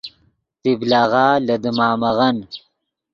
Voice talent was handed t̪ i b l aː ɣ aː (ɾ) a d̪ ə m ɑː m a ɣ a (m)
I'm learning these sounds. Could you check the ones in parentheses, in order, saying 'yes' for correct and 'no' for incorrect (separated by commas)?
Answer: no, no